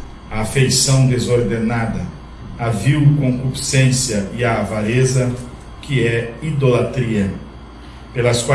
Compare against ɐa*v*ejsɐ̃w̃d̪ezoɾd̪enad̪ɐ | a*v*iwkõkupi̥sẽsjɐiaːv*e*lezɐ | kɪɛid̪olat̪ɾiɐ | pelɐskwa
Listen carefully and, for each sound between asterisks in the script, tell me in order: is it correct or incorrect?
incorrect: f, correct, incorrect: a

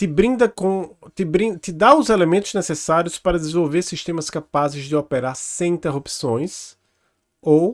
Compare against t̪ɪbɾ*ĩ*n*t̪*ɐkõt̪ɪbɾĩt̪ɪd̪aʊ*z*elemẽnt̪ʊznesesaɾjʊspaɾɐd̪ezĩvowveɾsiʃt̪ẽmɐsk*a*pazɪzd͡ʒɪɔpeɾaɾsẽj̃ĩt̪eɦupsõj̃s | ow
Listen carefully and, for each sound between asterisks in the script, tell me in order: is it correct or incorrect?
correct, incorrect: d̪, correct, correct

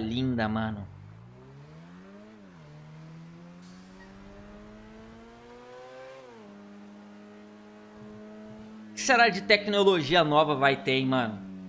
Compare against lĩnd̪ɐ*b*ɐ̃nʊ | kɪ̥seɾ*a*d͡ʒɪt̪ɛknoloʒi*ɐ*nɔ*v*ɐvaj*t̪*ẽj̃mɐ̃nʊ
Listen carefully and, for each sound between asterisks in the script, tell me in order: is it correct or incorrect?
incorrect: m, correct, correct, correct, correct

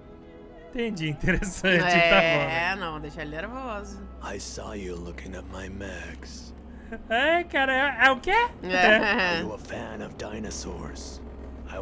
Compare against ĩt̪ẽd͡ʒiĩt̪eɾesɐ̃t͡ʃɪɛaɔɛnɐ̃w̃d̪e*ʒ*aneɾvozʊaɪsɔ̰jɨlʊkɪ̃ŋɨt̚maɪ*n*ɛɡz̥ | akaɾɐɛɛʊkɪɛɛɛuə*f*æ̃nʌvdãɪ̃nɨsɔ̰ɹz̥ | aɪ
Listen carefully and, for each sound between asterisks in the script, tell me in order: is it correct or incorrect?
incorrect: ʃ, incorrect: m, correct

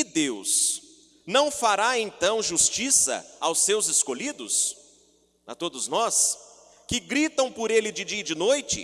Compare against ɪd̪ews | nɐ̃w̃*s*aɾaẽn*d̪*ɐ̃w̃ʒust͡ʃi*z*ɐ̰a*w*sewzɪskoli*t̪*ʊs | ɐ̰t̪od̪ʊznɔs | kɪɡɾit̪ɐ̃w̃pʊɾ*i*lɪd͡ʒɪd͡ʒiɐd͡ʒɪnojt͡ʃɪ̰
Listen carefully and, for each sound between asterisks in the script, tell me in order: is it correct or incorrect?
incorrect: f, incorrect: t̪, incorrect: s, correct, incorrect: d̪, incorrect: e

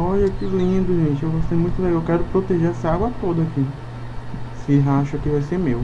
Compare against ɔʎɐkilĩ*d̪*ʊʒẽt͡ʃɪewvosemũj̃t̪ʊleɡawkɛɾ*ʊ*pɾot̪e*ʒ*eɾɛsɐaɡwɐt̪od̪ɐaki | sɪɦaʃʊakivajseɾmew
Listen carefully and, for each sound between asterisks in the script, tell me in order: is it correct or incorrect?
correct, correct, correct

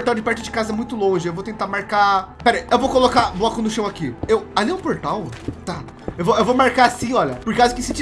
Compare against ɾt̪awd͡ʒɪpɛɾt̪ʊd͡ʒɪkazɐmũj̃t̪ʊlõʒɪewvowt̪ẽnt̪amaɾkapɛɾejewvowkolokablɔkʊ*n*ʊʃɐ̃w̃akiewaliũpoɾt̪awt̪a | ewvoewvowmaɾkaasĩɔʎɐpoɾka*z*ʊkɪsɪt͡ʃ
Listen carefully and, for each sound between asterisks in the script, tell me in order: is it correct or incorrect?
correct, correct

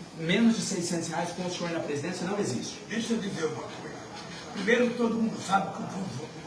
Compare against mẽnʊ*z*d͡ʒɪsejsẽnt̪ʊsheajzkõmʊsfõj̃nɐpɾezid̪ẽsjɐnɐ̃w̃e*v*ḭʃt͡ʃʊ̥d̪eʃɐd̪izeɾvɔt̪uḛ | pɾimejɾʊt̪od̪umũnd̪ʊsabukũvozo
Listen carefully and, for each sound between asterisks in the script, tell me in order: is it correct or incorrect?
correct, incorrect: z

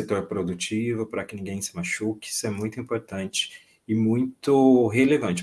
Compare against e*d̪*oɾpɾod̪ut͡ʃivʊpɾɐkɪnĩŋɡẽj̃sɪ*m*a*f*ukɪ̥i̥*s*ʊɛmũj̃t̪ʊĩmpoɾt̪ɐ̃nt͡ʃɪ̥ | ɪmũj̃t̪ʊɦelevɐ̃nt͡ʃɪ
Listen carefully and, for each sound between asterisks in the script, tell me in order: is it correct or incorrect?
incorrect: t̪, correct, incorrect: ʃ, correct

